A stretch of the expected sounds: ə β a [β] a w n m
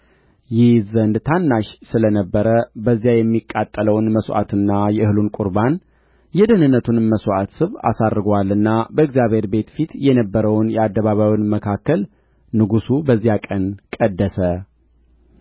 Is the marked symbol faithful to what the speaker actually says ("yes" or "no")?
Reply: yes